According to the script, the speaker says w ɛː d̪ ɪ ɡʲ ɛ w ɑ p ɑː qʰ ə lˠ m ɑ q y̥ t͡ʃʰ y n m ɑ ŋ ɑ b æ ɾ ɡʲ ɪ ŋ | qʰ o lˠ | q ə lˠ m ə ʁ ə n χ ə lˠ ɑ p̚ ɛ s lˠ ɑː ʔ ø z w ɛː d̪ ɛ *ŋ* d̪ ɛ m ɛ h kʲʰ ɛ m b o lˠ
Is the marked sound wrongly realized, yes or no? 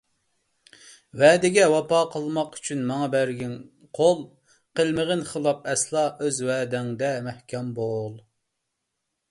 no